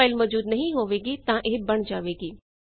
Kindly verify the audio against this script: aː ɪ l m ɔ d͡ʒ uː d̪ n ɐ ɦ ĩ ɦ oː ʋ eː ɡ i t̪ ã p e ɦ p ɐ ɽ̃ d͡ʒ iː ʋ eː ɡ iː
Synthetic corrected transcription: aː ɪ l m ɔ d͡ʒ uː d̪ n ɐ ɦ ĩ ɦ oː ʋ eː ɡ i t̪ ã ʔ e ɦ b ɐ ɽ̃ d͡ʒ aː ʋ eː ɡ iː